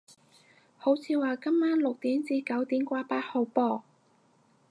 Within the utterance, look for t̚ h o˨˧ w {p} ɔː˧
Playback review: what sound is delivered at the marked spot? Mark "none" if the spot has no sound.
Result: p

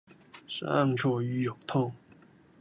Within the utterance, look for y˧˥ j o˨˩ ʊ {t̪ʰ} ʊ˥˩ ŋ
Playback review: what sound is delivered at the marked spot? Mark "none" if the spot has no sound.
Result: t̪ʰ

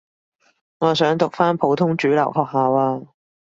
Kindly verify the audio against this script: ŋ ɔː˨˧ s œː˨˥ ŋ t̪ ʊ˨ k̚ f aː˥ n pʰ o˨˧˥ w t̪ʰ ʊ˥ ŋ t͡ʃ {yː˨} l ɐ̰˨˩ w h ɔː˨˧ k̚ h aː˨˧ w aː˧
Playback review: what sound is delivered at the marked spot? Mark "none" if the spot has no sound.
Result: yː˨˥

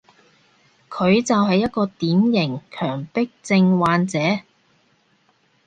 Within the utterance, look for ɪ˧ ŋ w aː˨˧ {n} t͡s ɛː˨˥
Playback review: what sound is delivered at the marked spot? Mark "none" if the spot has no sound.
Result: n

